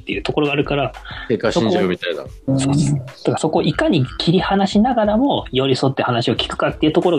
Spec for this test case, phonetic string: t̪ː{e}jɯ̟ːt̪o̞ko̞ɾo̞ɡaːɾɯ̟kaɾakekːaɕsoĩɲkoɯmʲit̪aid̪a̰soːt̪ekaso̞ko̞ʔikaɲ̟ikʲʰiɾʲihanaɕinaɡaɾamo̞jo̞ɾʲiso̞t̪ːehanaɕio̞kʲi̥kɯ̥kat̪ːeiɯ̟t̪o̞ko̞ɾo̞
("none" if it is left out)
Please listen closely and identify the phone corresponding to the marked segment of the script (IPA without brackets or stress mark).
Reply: e